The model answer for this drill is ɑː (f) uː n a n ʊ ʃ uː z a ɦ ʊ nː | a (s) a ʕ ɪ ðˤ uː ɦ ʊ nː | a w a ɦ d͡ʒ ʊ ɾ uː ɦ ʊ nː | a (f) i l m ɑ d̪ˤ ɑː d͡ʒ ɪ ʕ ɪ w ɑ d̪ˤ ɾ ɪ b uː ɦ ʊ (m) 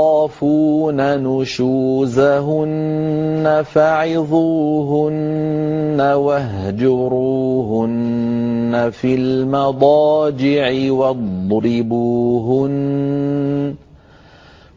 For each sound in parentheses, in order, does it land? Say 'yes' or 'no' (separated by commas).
yes, no, yes, no